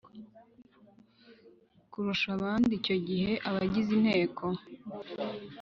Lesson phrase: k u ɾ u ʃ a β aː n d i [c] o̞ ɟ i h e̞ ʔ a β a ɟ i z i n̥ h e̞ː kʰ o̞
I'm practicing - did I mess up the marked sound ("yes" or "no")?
no